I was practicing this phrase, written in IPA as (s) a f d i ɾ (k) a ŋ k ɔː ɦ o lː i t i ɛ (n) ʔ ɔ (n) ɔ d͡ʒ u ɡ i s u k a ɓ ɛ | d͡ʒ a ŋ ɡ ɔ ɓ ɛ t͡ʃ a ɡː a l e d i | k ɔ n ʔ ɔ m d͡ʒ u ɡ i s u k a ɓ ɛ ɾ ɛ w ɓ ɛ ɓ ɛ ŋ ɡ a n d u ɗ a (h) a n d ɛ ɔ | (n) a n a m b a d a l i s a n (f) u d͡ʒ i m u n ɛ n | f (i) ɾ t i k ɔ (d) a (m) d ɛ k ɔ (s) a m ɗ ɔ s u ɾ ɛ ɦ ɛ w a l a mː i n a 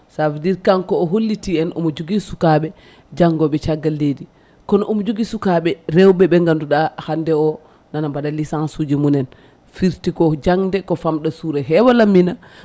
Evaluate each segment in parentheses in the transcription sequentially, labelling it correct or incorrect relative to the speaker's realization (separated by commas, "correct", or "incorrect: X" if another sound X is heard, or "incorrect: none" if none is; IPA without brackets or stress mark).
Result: correct, correct, correct, incorrect: m, correct, correct, incorrect: s, correct, incorrect: d͡ʒ, incorrect: ŋ, incorrect: f